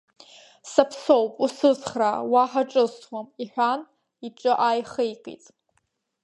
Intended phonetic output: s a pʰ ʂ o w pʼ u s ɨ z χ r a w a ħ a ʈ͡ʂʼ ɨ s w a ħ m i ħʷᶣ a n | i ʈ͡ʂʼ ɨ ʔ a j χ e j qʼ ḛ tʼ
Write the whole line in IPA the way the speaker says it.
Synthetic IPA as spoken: s a pʰ s o w pʼ u s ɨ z χ r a w a ħ a ʈ͡ʂʼ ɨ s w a m i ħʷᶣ a n | i ʈ͡ʂʼ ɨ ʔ a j χ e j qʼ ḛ tʼ